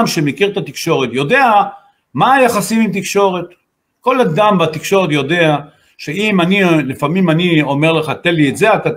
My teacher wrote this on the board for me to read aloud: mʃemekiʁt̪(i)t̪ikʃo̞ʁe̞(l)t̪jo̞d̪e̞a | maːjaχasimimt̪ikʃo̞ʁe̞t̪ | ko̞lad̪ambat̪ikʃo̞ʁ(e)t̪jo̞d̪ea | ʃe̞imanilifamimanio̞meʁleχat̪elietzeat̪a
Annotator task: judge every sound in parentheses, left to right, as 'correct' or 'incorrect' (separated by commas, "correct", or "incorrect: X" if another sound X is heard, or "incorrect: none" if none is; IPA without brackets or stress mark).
incorrect: a, incorrect: none, correct